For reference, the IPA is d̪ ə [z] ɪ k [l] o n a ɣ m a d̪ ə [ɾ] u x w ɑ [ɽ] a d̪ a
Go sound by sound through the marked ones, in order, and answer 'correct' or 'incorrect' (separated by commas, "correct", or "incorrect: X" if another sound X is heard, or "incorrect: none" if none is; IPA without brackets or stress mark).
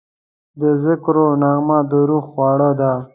correct, incorrect: ɾ, correct, correct